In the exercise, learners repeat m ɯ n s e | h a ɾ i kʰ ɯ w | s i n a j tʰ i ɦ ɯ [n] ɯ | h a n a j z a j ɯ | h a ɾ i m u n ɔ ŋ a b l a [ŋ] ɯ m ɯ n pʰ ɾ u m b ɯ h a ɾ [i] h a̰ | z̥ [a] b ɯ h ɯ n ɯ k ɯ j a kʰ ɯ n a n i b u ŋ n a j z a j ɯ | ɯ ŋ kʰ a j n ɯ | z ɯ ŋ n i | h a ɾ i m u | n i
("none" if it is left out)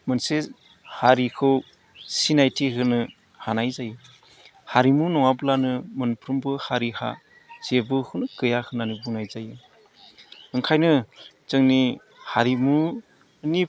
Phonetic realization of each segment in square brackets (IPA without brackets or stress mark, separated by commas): n, n, i, e